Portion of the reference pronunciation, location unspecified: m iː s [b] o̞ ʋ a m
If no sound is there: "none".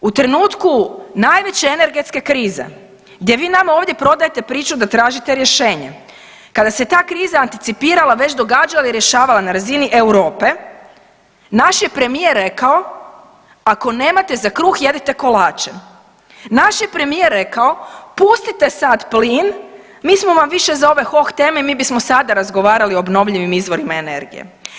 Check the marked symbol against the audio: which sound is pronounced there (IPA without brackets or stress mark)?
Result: m